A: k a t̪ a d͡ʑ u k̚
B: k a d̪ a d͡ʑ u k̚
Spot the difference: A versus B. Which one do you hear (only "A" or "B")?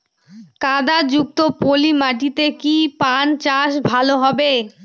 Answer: B